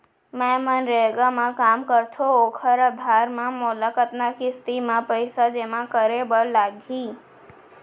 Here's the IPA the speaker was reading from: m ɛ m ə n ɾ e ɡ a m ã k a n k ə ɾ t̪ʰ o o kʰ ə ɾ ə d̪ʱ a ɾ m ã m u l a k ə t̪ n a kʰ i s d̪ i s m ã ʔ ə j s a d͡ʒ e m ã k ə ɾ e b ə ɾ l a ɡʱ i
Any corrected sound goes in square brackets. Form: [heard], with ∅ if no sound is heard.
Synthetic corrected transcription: m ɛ m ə n ɾ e ɡ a m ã k a [m] k ə ɾ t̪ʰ o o kʰ ə ɾ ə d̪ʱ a ɾ m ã m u l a k ə t̪ n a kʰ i s [t̪] i [∅] m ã [p] ə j s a d͡ʒ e m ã k ə ɾ e b ə ɾ l a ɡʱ i